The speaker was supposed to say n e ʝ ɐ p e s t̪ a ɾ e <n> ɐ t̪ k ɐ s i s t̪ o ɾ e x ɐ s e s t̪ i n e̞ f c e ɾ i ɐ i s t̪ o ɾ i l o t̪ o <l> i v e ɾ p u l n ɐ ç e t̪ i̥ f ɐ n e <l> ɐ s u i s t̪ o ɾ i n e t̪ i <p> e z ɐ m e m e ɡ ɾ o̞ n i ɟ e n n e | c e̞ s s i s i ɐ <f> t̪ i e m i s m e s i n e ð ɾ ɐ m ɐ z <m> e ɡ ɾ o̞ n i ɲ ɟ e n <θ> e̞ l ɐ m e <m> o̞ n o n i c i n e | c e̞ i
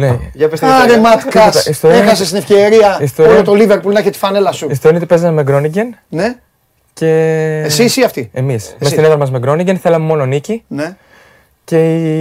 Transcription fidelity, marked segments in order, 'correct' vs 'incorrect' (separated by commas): incorrect, correct, correct, correct, correct, correct, correct, correct